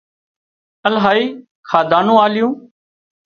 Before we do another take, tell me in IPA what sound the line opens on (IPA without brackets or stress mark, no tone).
ə